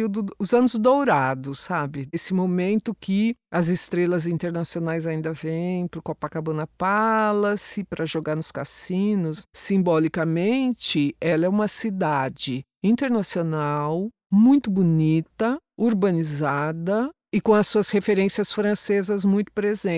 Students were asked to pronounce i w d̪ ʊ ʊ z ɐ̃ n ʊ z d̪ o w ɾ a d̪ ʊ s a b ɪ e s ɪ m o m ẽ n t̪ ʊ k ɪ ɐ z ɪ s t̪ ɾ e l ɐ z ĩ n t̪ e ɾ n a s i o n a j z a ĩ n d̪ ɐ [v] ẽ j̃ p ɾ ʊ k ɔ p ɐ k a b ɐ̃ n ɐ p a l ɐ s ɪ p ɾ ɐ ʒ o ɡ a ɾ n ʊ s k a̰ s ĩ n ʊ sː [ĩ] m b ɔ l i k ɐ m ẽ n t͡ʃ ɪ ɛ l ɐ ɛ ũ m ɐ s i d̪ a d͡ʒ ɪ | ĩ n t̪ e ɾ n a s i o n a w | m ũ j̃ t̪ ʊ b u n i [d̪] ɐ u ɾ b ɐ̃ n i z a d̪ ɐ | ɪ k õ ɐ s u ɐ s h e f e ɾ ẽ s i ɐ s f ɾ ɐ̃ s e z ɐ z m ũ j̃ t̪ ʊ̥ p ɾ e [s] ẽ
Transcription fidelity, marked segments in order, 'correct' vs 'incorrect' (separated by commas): correct, correct, incorrect, incorrect